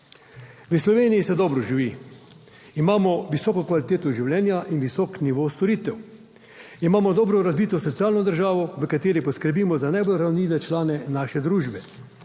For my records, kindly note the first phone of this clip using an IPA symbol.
ʋ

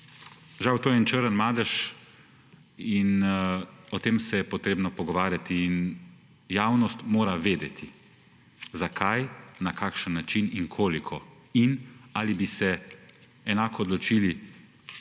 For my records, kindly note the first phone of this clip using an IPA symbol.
ʒ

